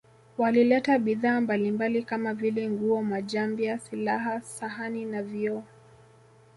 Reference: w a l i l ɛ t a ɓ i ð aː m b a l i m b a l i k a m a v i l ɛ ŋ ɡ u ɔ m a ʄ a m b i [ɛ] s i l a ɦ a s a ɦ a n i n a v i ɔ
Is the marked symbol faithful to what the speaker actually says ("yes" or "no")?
no